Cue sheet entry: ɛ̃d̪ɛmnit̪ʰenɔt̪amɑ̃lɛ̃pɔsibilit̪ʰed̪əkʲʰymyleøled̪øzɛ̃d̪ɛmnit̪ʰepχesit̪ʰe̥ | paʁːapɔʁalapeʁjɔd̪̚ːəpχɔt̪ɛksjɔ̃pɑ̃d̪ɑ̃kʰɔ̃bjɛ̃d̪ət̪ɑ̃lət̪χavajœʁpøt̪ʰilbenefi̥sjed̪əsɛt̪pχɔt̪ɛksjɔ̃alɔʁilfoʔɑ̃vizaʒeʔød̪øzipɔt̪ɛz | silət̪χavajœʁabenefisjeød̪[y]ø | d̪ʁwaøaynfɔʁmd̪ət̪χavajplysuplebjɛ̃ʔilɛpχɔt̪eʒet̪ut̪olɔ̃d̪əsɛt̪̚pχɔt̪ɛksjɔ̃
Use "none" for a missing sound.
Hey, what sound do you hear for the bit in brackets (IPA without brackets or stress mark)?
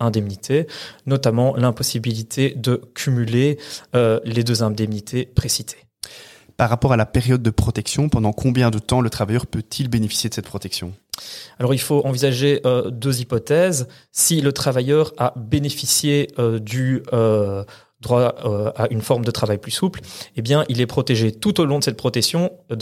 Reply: y